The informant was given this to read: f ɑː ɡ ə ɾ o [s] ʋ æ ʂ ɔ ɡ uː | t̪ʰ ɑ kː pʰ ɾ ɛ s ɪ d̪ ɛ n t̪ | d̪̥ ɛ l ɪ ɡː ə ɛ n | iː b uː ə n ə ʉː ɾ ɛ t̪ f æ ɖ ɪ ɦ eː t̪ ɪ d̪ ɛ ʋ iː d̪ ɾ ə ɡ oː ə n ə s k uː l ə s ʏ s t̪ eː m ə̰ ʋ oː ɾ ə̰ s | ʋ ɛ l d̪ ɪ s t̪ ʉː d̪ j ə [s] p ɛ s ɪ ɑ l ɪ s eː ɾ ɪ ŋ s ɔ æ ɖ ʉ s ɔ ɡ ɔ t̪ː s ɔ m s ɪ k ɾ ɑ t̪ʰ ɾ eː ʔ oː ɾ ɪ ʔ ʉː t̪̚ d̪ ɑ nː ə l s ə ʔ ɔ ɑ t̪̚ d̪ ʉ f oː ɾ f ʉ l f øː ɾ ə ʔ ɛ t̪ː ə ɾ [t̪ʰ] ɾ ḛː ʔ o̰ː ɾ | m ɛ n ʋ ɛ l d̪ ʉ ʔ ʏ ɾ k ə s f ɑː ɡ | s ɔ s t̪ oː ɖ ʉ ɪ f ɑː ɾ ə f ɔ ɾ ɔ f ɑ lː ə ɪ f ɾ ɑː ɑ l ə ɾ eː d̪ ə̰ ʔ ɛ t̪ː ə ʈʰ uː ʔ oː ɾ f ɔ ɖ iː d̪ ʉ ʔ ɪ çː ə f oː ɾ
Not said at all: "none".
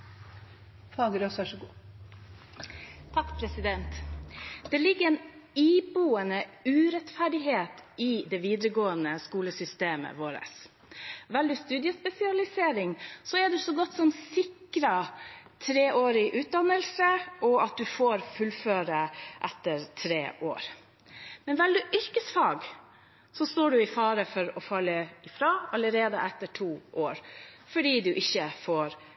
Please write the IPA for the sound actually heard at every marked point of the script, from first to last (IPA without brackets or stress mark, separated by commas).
s, s, t̪ʰ